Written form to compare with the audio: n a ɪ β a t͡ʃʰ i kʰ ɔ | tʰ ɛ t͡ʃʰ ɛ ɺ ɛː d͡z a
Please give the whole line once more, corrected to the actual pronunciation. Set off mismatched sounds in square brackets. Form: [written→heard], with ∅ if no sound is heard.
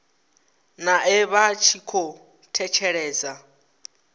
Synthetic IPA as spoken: n a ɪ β a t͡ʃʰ i kʰ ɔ | tʰ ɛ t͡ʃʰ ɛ ɺ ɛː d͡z a